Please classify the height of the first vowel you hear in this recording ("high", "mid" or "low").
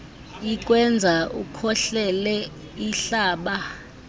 high